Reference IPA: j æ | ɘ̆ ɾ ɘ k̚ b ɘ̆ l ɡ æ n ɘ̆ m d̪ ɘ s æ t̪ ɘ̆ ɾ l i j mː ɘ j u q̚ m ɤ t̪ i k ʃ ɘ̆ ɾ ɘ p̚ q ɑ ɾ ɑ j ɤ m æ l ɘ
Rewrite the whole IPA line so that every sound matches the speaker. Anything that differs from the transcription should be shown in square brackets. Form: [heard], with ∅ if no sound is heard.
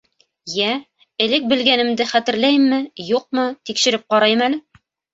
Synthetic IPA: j æ | ɘ̆ [l] ɘ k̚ b ɘ̆ l ɡ æ n ɘ̆ m d̪ ɘ [χ] æ t̪ ɘ̆ ɾ l [æ] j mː ɘ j u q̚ m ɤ t̪ i k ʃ ɘ̆ ɾ ɘ p̚ q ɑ ɾ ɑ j ɤ m æ l ɘ